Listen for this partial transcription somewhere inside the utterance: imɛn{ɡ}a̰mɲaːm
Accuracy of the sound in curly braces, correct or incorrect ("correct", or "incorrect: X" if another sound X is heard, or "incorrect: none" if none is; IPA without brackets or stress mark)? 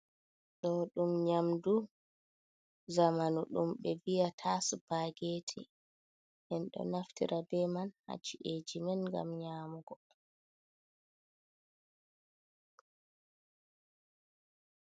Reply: correct